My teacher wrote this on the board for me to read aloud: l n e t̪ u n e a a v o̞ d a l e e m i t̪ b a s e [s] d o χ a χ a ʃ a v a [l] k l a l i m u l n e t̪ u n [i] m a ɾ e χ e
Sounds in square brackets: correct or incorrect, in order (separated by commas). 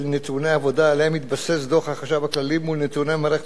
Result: correct, incorrect, incorrect